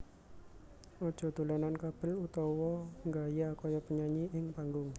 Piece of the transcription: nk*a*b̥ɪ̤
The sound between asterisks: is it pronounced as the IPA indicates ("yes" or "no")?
yes